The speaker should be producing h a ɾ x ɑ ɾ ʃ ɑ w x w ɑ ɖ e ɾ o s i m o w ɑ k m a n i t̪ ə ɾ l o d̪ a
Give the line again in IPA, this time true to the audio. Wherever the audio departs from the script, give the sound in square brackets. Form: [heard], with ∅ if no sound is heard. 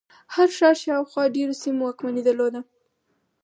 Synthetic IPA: h a ɾ [ʃ] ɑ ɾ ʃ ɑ w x w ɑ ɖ e ɾ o s i m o w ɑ k m a n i [d̪] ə ɾ l o d̪ a